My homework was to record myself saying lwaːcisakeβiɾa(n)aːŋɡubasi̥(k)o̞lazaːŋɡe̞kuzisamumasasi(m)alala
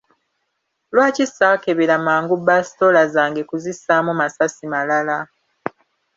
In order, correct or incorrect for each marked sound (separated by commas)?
incorrect, incorrect, correct